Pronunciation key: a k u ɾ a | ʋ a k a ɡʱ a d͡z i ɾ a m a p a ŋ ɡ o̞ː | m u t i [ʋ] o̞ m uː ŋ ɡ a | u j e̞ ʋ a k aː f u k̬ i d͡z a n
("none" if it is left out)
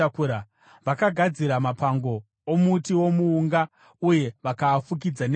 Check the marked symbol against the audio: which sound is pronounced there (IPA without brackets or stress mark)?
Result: w